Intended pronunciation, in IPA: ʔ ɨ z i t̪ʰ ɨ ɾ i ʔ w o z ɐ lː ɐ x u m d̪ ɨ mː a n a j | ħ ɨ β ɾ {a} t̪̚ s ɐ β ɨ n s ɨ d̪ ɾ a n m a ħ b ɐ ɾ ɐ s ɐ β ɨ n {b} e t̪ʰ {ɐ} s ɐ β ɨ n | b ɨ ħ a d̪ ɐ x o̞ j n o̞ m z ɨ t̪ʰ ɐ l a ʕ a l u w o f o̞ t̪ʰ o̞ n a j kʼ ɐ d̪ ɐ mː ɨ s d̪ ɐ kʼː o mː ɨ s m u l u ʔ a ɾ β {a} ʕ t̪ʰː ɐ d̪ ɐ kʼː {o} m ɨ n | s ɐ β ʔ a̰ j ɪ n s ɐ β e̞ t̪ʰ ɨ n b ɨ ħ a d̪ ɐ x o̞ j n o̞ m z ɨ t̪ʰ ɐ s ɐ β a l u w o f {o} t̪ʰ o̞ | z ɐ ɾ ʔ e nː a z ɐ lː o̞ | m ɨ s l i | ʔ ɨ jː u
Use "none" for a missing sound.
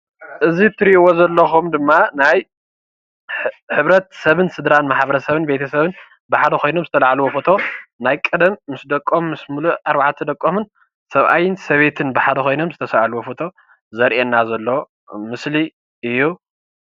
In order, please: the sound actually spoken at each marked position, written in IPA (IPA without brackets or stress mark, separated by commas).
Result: ɐ, b, ɐ, a, o, o